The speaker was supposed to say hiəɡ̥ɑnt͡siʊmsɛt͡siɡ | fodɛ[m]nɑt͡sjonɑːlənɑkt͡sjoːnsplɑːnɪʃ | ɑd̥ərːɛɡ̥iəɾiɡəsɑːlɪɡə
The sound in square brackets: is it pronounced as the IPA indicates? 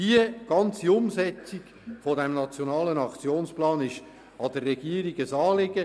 yes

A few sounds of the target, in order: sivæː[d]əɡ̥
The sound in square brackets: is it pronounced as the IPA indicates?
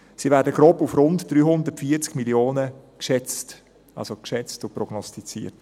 yes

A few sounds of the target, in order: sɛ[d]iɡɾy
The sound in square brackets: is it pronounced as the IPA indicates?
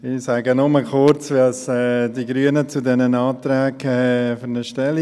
yes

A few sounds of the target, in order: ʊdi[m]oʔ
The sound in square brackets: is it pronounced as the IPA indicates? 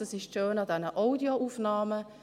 no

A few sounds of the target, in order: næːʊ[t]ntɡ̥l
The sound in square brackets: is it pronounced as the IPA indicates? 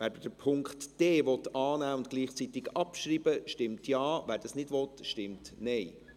no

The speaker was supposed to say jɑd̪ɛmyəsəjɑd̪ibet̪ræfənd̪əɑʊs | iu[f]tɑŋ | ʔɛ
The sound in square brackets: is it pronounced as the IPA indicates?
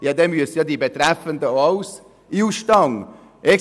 no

